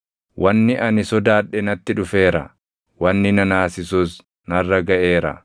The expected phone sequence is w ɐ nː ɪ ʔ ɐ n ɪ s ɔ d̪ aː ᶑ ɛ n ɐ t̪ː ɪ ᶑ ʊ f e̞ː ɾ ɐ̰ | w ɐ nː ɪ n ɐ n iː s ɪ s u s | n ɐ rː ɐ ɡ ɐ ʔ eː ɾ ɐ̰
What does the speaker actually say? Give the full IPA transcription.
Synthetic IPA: w ɐ nː ɪ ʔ ɐ n ɪ s ɔ d̪ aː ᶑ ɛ n ɐ t̪ː ɪ ᶑ ʊ f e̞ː ɾ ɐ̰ | w ɐ nː ɪ n ɐ n aː s ɪ s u s | n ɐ rː ɐ ɡ ɐ ʔ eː ɾ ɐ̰